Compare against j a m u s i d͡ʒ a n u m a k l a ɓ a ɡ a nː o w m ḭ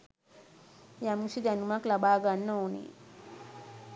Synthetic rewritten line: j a m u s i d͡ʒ a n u m a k l a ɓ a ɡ a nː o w n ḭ